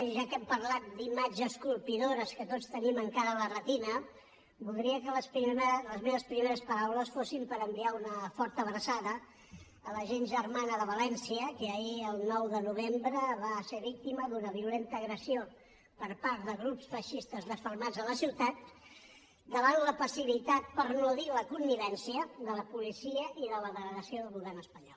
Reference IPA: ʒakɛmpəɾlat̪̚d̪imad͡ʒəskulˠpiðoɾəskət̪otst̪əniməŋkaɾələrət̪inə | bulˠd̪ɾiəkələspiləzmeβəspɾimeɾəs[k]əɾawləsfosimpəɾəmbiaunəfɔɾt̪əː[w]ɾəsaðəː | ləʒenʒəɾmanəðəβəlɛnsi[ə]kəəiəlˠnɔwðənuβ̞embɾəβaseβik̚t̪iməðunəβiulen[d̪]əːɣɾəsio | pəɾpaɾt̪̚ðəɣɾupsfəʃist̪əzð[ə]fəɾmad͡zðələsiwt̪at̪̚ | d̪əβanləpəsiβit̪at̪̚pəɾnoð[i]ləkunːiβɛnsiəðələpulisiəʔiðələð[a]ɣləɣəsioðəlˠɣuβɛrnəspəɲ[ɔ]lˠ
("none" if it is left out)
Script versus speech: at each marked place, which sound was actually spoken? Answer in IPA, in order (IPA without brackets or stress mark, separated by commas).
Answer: p, β, ə, t̪, ə, i, ə, ɔ